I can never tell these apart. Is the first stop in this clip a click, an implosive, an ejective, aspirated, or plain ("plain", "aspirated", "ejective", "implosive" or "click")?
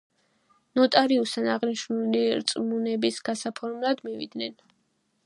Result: ejective